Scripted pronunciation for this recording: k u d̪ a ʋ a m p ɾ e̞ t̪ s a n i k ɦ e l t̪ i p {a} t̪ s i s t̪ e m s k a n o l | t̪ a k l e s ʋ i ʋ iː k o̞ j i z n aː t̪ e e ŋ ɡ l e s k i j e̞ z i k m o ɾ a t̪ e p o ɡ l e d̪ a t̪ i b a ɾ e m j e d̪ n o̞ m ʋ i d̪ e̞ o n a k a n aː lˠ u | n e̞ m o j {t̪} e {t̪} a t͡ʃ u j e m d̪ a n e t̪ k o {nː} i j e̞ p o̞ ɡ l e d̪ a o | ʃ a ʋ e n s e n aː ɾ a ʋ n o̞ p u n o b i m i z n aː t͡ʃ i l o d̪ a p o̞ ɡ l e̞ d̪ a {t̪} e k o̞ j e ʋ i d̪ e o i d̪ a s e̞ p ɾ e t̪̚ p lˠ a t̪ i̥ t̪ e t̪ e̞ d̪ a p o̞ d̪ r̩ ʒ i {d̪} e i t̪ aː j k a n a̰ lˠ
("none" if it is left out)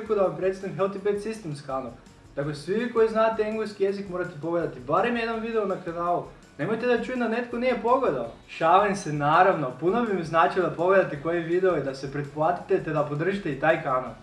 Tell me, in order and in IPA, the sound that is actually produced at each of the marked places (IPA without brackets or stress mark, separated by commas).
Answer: e, t̪, d̪, n, t̪, t̪